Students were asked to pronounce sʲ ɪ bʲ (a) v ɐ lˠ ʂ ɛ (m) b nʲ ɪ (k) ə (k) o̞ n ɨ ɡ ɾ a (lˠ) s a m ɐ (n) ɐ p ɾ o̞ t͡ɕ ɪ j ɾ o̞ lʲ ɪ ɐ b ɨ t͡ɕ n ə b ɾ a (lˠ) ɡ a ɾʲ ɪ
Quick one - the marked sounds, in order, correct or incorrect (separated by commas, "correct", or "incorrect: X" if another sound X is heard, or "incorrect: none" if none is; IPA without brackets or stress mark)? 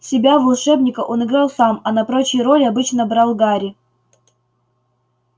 correct, incorrect: none, correct, incorrect: ʔ, correct, correct, correct